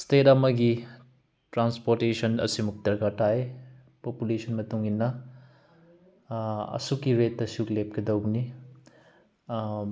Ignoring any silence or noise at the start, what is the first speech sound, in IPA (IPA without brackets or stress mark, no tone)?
s